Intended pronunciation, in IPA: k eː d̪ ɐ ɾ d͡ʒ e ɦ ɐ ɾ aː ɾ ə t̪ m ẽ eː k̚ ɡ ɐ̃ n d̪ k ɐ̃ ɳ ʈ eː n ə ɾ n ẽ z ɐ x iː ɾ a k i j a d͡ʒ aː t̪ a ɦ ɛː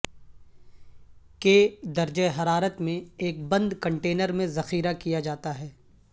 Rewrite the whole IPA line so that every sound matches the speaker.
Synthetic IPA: k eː d̪ ɐ ɾ d͡ʒ e ɦ ɐ ɾ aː ɾ ə t̪ m ẽ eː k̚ b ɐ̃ n d̪ k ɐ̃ ɳ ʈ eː n ə ɾ m ẽ z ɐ x iː ɾ a k i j a d͡ʒ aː t̪ a ɦ ɛː